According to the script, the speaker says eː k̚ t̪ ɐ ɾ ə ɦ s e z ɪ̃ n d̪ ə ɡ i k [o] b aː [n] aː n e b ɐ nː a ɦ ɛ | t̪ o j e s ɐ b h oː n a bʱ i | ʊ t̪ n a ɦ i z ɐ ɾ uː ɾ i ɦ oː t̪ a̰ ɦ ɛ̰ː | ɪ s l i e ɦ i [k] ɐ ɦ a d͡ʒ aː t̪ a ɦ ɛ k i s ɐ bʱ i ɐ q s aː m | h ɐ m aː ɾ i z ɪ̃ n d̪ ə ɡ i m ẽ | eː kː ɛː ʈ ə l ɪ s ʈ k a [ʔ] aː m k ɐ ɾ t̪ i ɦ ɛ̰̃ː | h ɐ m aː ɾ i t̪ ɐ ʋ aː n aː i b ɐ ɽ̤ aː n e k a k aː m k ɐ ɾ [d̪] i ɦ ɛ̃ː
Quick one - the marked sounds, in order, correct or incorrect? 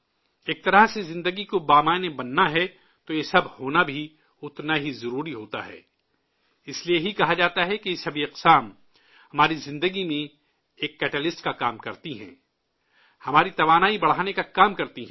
correct, incorrect: m, correct, incorrect: k, incorrect: t̪

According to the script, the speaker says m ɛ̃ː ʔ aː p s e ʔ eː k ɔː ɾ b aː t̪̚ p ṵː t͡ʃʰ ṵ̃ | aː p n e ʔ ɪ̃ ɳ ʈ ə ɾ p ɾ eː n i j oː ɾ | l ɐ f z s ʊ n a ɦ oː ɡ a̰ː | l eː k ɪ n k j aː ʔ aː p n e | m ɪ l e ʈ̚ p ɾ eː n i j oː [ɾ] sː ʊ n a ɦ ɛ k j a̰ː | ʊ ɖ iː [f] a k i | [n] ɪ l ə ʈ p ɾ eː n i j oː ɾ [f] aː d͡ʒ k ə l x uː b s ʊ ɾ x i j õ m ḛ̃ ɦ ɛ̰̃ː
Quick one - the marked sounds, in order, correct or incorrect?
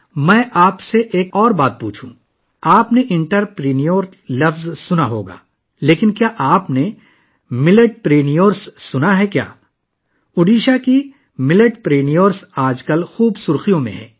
correct, incorrect: ʃ, incorrect: m, incorrect: s

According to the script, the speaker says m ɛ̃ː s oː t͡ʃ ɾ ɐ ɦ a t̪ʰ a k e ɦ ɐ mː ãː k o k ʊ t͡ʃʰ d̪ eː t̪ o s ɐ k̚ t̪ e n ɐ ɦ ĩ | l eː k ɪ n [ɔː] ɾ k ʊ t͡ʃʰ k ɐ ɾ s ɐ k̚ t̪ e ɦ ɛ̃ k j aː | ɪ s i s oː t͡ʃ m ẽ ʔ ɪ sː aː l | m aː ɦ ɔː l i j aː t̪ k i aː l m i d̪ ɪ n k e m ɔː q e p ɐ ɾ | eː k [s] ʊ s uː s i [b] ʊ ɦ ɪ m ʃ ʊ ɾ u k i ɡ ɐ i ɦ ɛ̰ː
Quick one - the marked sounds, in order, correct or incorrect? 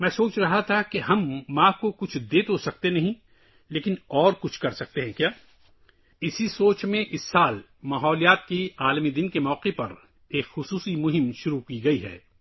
correct, incorrect: x, incorrect: m

